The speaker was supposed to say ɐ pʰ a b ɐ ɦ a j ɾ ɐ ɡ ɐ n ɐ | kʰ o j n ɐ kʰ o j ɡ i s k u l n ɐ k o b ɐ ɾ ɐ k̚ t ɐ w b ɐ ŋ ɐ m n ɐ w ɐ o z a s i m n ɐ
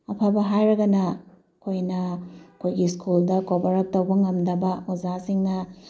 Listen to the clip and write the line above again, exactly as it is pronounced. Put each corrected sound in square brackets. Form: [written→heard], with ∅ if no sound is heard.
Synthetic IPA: ɐ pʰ a b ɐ ɦ a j ɾ ɐ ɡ ɐ n ɐ | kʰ o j n ɐ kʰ o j ɡ i s k u l [n→d] ɐ k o b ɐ ɾ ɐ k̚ t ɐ w b ɐ ŋ ɐ m [n→d] ɐ [w→b] ɐ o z a s i [m→ŋ] n ɐ